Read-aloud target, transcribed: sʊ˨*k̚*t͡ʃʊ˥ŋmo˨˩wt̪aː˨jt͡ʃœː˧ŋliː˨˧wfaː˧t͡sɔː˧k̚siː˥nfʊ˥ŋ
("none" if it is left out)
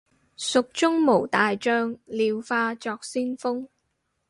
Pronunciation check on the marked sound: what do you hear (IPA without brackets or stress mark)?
k̚